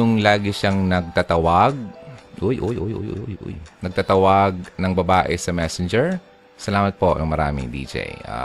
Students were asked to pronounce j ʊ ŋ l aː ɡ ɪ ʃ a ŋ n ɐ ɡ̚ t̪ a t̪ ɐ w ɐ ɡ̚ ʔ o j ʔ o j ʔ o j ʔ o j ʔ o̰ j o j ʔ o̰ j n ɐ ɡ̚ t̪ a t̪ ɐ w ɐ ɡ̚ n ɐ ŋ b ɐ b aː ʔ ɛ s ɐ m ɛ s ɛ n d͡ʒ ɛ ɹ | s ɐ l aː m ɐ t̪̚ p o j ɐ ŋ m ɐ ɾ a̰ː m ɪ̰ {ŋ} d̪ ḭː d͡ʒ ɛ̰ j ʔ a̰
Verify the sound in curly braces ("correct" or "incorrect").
correct